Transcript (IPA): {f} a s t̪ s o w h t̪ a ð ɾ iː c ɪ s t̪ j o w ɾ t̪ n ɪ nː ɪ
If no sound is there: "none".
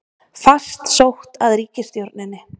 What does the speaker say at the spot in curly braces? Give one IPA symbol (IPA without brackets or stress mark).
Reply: f